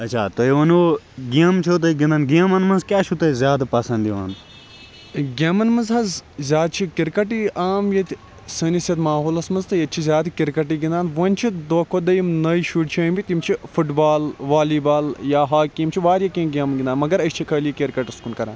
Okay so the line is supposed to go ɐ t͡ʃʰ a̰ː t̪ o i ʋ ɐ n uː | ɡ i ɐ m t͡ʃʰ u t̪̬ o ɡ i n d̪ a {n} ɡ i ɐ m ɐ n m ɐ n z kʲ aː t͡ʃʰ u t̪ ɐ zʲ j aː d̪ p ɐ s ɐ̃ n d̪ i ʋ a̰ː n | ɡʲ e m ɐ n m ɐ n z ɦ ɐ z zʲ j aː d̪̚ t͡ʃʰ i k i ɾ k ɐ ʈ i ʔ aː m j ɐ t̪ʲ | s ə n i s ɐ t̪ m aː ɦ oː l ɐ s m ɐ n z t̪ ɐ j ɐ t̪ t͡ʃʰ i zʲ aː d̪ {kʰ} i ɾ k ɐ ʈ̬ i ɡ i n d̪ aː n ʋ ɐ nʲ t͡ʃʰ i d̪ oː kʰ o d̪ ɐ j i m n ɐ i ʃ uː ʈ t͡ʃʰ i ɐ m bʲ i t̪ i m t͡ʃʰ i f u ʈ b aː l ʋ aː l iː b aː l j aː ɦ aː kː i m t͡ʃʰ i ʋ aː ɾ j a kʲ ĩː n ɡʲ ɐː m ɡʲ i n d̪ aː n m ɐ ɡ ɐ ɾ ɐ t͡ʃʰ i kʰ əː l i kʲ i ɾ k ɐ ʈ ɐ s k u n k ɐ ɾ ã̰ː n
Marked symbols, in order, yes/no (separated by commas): yes, no